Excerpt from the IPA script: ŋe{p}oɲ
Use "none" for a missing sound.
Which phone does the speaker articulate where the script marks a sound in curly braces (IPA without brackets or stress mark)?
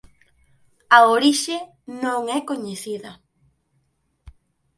k